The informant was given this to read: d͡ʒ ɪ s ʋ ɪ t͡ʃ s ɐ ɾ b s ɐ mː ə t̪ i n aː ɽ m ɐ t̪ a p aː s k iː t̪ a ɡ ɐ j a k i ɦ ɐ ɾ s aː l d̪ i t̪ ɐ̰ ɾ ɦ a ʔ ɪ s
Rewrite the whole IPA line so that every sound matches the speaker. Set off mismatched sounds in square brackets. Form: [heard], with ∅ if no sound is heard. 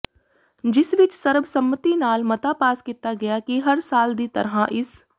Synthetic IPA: d͡ʒ ɪ s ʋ ɪ t͡ʃ s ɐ ɾ b s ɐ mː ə t̪ i n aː [l] m ɐ t̪ a p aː s k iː t̪ a ɡ ɐ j a k i ɦ ɐ ɾ s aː l d̪ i t̪ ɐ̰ ɾ ɦ a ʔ ɪ s